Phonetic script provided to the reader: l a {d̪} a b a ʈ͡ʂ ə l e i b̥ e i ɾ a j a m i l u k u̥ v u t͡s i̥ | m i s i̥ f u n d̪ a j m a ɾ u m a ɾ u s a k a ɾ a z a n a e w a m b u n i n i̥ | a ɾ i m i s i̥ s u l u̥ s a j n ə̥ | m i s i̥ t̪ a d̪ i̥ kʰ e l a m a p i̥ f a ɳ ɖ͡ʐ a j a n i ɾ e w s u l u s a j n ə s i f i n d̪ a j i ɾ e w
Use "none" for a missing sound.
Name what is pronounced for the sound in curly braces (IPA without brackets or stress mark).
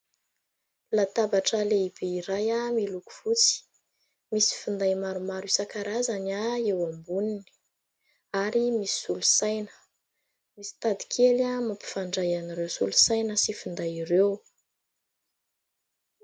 t̪